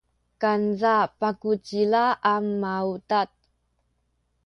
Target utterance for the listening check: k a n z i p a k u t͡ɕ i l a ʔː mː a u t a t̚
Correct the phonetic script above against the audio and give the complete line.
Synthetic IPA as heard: k a n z a p a k u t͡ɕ i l a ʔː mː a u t a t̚

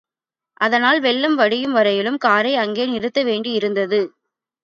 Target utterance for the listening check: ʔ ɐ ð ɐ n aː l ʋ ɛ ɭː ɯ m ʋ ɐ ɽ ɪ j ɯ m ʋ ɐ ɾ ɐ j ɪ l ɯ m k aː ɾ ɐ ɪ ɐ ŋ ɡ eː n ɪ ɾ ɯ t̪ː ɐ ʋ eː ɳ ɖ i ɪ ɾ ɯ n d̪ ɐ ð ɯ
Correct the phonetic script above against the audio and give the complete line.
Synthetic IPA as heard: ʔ ɐ ð ɐ n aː l ʋ ɛ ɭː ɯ m ʋ ɐ ɽ ɪ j ɯ m ʋ ɐ ɾ ɐ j ɪ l ɯ m k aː ɾ ɐ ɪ ɐ ŋ ɡ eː n ɪ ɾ ɯ t̪ː ɐ ʋ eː ɳ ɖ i ɪ ɾ ɯ n d̪ ɐ ð ɯ

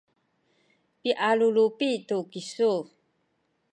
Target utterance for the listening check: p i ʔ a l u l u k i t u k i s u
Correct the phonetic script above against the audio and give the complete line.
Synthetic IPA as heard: p i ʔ a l u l u p i t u k i s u

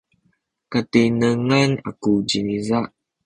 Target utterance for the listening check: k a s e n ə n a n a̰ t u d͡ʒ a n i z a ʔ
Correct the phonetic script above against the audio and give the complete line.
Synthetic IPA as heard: k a t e n ə ŋ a n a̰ k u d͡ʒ i n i z a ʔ

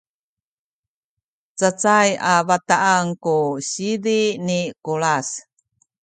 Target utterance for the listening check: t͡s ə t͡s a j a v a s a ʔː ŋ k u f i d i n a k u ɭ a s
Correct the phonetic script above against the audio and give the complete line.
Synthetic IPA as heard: t͡s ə t͡s a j a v a t a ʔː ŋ k u ɕ i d i n i k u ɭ a s

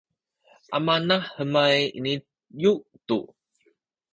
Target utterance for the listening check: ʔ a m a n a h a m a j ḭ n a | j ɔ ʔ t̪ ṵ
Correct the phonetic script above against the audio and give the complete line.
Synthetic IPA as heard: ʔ a m a n a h ə m a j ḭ n i | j u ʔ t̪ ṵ

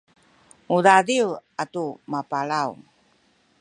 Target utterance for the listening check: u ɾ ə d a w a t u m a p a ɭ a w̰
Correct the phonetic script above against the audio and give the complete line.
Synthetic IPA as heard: u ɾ a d i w a t u m a p a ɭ a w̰

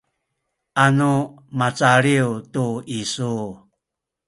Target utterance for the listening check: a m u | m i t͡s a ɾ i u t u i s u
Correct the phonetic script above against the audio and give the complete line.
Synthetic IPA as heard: a n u | m a t͡s a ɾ i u t u i s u

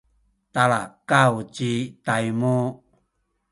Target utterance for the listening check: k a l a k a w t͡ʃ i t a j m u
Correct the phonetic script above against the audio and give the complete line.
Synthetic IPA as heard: t a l a k a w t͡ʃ i t a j m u

